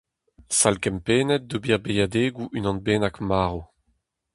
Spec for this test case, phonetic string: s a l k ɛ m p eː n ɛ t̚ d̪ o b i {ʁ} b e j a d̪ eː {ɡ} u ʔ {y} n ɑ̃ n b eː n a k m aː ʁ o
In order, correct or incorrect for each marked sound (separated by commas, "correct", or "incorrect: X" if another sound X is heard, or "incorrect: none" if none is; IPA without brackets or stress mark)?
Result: correct, correct, correct